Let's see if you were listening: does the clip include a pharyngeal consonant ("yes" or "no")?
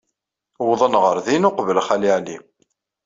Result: yes